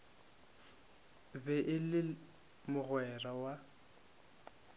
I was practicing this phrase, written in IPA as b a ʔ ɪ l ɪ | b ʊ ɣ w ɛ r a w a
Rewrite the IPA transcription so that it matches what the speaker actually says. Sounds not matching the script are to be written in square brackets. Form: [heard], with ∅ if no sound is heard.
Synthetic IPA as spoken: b [ɛ] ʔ ɪ l ɪ | [m] ʊ ɣ w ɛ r a w a